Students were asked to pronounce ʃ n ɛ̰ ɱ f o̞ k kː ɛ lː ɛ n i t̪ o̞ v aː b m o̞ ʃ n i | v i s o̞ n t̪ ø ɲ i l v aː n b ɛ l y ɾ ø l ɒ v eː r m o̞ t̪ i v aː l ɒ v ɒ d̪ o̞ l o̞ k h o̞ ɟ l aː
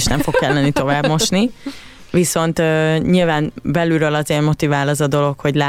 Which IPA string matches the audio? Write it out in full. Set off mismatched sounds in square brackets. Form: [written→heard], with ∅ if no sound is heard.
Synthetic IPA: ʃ n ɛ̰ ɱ f o̞ k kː ɛ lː ɛ n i t̪ o̞ v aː b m o̞ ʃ n i | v i s o̞ n t̪ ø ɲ i l v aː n b ɛ l y ɾ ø l ɒ [v→z] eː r m o̞ t̪ i v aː l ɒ [v→z] ɒ d̪ o̞ l o̞ k h o̞ ɟ l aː